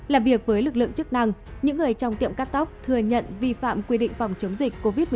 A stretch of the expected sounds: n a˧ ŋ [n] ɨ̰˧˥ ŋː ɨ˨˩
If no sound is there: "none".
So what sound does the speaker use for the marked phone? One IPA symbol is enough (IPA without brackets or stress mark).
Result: ɲ